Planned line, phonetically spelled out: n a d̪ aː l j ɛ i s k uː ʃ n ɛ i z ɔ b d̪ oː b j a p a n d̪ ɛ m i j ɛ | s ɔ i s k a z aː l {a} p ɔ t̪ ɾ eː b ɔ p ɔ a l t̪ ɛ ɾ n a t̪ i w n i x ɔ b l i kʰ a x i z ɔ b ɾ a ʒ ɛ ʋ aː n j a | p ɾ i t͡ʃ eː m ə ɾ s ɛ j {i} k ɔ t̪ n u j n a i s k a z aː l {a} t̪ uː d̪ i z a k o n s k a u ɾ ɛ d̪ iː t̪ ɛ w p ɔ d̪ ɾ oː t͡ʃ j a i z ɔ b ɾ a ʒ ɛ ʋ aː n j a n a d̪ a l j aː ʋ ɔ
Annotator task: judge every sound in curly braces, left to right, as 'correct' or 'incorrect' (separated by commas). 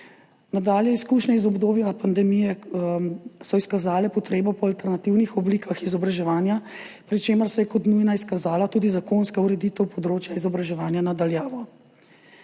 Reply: incorrect, incorrect, correct